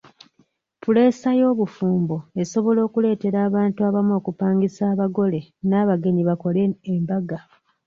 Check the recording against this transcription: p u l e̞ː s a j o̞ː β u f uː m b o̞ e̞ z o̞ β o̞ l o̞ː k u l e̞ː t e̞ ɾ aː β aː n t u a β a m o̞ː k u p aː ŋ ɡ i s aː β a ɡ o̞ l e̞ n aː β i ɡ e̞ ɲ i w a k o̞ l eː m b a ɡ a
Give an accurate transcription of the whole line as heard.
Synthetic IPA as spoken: p u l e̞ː s a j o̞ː β u f uː m b o̞ e̞ s o̞ β o̞ l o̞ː k u l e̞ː t e̞ ɾ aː β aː n t u a β a m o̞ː k u p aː ŋ ɡ i s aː β a ɡ o̞ l e̞ n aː β a ɡ e̞ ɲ i β a k o̞ l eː m b a ɡ a